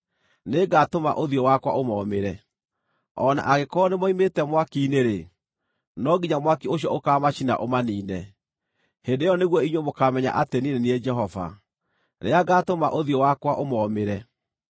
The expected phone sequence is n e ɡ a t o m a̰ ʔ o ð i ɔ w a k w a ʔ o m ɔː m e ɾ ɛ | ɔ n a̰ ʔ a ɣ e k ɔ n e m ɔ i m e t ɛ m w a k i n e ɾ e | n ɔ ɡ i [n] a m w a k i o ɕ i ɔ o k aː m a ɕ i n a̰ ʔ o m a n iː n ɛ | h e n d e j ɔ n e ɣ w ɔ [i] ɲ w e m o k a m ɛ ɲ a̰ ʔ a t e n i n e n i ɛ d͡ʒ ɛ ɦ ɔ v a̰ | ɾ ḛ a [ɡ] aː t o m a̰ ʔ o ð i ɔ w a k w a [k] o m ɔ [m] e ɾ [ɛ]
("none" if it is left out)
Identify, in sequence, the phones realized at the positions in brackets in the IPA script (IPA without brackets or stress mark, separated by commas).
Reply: ɲ, i, ɡ, ʔ, m, ɛ